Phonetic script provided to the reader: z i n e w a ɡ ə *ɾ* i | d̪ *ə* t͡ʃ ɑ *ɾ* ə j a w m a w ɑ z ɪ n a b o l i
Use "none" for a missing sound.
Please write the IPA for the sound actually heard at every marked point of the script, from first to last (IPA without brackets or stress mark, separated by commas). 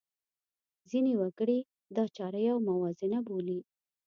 ɽ, ɑ, ɾ